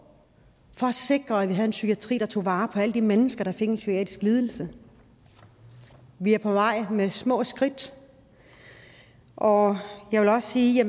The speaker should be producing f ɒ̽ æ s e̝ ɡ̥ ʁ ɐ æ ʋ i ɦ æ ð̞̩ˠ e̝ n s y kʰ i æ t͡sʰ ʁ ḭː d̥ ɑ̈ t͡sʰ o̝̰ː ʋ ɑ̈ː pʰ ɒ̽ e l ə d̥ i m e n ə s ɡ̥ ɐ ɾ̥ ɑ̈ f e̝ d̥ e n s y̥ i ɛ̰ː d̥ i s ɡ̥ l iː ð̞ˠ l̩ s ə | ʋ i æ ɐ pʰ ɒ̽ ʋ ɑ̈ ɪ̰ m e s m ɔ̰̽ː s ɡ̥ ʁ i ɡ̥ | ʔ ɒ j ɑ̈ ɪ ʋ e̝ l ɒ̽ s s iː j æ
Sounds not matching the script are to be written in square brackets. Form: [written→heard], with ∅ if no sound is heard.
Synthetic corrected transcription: f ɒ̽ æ s e̝ ɡ̥ ʁ ɐ æ ʋ i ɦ æ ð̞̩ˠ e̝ n s y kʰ i æ t͡sʰ ʁ ḭː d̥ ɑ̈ t͡sʰ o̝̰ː ʋ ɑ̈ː pʰ ɒ̽ [e→æ] l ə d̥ i m e n ə s ɡ̥ ɐ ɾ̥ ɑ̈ f e̝ [d̥→ɡ̥] e n s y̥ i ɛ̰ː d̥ i s ɡ̥ l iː ð̞ˠ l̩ s ə | ʋ i æ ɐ pʰ ɒ̽ ʋ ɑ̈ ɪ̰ m e s m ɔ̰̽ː s ɡ̥ ʁ i [ɡ̥→d̥] | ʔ ɒ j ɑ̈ ɪ ʋ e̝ l ɒ̽ s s iː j æ